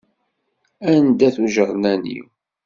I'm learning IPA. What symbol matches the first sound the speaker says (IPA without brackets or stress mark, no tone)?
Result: æ